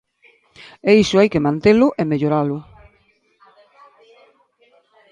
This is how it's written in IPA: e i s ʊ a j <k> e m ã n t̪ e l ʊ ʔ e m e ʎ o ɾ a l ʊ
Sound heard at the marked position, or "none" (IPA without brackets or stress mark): k